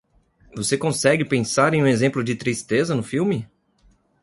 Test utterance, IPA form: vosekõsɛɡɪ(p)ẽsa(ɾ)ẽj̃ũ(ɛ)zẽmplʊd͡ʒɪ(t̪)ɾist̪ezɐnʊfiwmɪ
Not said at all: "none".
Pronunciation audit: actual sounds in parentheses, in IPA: p, ɾ, e, t̪

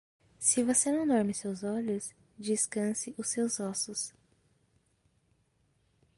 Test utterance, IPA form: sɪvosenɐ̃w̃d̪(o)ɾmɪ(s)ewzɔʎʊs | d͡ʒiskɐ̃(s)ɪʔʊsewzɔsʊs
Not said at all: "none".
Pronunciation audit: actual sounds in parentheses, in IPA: ɔ, s, s

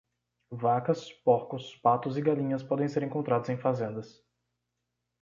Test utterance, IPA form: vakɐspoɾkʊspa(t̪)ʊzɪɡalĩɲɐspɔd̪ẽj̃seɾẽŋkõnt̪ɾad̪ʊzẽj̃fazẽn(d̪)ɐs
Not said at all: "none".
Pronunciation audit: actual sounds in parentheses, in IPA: t̪, d̪

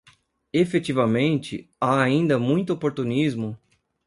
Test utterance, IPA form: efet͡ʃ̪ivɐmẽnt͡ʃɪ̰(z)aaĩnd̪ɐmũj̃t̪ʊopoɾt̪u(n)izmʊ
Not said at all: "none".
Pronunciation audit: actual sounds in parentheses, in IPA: none, n

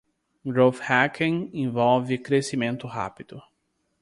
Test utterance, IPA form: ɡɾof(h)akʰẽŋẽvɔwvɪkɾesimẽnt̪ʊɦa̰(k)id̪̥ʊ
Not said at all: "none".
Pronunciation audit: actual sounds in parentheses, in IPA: h, p

